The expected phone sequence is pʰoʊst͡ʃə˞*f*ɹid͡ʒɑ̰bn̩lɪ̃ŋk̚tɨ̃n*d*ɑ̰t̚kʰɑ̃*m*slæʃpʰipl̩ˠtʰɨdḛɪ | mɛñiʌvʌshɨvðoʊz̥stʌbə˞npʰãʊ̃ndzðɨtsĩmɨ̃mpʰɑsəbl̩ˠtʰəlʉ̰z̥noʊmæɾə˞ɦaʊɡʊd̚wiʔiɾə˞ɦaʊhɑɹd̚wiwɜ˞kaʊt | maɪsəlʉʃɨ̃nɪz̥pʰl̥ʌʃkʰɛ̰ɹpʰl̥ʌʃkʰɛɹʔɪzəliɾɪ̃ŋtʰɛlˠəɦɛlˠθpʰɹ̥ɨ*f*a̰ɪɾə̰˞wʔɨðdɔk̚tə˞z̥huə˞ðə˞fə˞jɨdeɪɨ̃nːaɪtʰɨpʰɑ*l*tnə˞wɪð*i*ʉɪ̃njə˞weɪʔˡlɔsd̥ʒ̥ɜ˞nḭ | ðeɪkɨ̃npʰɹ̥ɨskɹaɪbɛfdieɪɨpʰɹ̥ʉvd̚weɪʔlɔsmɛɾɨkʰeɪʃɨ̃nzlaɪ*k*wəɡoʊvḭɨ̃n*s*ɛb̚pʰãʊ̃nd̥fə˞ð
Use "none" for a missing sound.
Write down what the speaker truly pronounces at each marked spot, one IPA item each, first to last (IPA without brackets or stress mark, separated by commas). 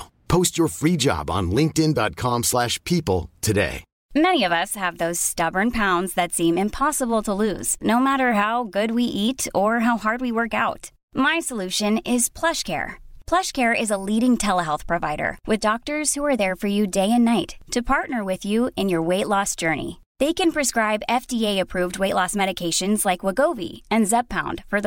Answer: f, d, m, v, ɹ, j, k, z